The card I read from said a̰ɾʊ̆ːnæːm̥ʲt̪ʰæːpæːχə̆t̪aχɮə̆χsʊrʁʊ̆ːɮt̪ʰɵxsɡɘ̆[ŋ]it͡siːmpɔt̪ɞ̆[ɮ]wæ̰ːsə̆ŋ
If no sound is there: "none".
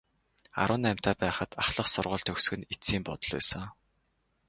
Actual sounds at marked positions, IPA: n, ɮ

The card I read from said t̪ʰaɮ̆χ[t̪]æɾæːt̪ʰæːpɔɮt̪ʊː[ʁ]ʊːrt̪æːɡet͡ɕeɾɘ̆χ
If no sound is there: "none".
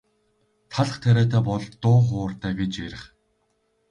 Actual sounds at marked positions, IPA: t̪ʰ, χ

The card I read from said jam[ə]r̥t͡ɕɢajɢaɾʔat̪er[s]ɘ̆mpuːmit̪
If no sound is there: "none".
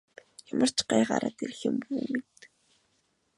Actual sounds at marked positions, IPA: ə, x

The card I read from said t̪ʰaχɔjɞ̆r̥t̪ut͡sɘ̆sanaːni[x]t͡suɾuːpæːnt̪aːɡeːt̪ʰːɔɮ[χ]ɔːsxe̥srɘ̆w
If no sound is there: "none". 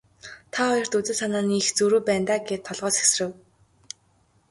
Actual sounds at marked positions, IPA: x, ʁ

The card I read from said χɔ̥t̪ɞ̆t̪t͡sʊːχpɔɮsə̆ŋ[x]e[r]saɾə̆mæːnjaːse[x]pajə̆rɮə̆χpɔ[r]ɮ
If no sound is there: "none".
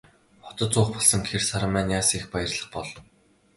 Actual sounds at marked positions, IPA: x, r, x, none

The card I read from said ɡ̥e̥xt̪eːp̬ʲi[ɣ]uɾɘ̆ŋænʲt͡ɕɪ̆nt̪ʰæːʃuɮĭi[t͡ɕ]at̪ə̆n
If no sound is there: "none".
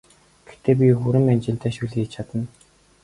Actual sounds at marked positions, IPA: x, t͡ɕʰ

